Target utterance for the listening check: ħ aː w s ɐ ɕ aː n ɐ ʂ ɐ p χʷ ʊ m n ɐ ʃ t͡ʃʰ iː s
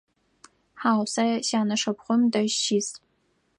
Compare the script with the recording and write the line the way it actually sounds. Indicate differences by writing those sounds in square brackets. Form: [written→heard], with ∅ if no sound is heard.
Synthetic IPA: ħ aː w s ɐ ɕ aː n ɐ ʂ ɐ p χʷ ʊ m [n→d] ɐ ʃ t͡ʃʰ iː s